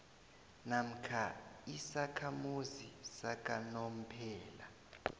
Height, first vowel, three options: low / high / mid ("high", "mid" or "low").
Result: low